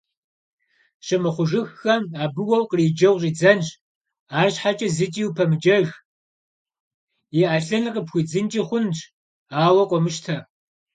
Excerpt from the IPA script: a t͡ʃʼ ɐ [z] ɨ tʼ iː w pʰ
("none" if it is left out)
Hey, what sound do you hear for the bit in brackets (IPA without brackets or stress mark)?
z